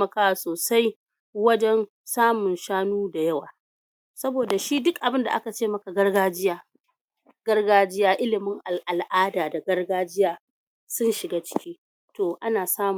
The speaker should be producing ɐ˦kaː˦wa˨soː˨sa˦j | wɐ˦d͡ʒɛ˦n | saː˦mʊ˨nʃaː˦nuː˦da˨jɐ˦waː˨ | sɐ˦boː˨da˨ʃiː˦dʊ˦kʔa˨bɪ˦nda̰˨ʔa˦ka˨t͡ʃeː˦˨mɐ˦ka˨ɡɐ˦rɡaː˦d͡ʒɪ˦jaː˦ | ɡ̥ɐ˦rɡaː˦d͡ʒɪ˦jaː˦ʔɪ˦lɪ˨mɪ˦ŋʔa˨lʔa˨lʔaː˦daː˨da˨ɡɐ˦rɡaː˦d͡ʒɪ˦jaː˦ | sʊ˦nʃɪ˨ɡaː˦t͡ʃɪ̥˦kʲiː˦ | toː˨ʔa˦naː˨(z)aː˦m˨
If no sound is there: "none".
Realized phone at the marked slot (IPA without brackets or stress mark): s